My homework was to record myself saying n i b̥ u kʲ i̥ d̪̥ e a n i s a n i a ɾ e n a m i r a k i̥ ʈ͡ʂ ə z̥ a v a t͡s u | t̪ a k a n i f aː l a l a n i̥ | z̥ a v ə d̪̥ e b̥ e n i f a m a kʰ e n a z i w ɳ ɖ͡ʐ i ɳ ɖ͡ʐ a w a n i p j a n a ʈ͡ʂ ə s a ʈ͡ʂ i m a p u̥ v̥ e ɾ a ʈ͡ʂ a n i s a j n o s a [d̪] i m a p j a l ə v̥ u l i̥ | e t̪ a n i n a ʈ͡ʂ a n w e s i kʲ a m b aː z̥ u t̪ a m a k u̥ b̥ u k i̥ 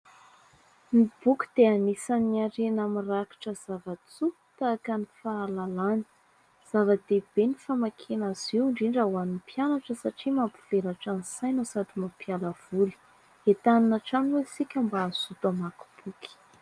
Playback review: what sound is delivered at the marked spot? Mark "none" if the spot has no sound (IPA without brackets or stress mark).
d̪